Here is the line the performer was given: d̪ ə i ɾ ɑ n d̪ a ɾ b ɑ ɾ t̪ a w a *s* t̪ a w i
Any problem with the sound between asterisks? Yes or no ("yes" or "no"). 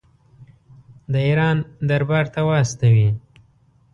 no